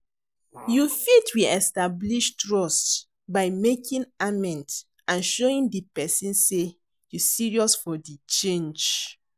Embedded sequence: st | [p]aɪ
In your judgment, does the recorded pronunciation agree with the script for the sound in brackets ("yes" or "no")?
no